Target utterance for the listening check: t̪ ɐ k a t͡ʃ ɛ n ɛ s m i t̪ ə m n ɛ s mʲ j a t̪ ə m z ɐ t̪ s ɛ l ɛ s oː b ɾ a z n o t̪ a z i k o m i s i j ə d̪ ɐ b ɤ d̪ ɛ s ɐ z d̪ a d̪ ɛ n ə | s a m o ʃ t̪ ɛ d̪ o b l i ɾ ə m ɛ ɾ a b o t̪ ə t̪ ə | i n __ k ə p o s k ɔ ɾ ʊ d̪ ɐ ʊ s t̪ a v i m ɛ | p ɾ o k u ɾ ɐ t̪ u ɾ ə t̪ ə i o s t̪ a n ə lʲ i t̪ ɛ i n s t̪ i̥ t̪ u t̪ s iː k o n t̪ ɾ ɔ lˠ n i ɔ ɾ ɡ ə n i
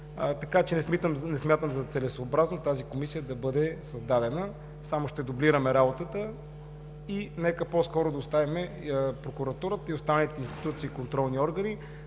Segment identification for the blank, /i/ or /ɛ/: ɛ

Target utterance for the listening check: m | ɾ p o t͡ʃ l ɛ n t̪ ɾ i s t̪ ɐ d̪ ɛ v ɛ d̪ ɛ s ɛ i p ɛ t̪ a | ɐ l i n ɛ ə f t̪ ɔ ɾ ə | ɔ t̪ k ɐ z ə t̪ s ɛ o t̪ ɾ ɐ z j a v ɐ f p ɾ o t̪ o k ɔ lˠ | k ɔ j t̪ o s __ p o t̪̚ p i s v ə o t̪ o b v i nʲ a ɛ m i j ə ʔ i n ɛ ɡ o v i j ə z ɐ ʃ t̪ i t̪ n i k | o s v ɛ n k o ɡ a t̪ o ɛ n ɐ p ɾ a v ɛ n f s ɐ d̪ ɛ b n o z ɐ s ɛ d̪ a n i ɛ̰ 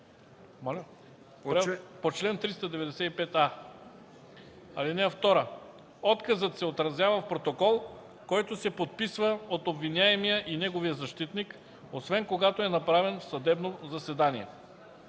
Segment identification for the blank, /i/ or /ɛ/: ɛ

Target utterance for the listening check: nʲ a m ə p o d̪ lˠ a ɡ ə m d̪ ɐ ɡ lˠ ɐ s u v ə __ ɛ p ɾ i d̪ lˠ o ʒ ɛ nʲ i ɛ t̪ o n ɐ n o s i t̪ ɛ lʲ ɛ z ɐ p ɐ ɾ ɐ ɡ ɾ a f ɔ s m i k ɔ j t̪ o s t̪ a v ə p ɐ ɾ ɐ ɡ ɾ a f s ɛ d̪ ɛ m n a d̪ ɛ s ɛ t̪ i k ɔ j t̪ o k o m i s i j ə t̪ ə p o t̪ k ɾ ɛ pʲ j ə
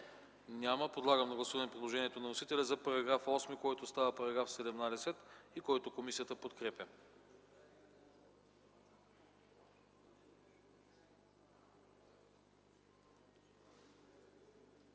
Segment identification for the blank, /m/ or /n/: n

